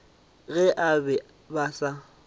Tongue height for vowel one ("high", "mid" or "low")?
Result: mid